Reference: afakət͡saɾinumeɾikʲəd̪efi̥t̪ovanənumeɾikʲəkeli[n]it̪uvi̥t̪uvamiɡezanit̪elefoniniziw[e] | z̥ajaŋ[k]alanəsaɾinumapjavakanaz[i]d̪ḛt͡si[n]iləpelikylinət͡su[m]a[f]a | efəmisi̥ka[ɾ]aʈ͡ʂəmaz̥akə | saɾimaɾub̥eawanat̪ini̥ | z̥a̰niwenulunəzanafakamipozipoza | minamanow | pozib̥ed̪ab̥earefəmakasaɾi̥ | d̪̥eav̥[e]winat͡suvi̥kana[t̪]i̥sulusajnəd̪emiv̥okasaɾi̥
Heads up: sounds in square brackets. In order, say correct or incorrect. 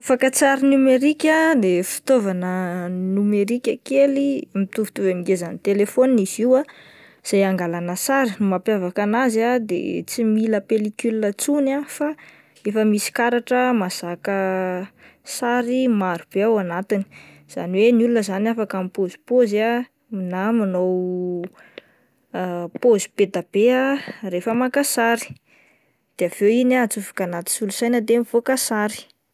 incorrect, incorrect, incorrect, incorrect, incorrect, incorrect, correct, correct, correct, correct

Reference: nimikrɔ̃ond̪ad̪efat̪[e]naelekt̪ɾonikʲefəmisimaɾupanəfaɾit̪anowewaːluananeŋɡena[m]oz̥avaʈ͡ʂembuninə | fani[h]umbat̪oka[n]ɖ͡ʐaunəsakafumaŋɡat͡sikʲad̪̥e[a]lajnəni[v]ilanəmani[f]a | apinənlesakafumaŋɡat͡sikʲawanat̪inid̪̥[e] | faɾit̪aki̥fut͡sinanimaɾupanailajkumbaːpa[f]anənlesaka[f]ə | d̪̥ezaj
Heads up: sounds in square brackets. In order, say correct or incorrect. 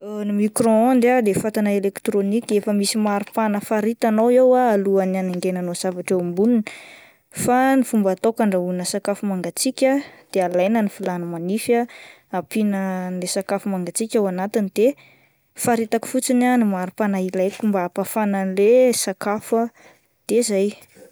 incorrect, incorrect, incorrect, incorrect, correct, incorrect, correct, correct, correct, correct

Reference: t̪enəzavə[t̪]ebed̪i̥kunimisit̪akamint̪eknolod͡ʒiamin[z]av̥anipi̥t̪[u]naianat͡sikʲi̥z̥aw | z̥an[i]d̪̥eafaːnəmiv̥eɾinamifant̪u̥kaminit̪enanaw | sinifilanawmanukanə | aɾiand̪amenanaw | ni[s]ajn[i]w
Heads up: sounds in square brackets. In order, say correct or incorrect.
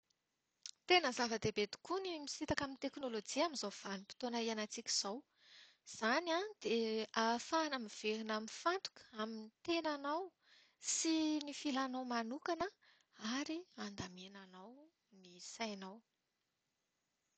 incorrect, correct, incorrect, incorrect, correct, incorrect

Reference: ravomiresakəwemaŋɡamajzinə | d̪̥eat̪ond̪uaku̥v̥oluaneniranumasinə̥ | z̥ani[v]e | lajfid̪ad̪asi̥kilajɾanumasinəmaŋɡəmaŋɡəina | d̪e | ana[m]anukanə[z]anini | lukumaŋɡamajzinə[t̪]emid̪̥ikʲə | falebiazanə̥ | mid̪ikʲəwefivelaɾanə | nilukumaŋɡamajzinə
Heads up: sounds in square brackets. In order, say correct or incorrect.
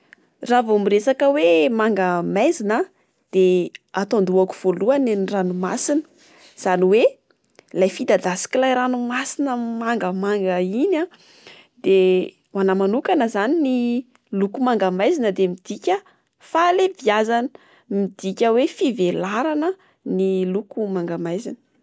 incorrect, correct, correct, incorrect

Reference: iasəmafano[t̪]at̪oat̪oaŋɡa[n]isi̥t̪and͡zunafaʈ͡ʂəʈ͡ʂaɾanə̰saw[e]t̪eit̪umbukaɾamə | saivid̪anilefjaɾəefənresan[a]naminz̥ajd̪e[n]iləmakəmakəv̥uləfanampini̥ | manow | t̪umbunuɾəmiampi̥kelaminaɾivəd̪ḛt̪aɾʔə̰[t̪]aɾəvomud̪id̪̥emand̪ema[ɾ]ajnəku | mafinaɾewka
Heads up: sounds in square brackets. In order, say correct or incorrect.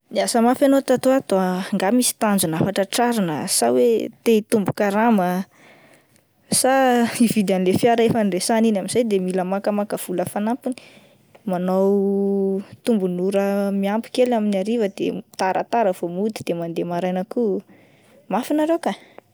correct, incorrect, correct, incorrect, incorrect, correct, correct

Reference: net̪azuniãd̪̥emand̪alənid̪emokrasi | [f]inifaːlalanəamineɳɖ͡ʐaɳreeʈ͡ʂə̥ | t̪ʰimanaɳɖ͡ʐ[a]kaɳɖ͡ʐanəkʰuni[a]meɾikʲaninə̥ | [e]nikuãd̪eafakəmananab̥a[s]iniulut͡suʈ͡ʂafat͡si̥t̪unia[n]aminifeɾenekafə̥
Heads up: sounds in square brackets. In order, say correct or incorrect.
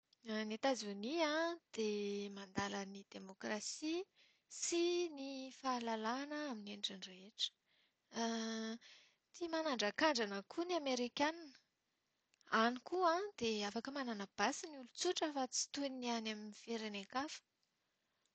incorrect, correct, correct, incorrect, correct, correct

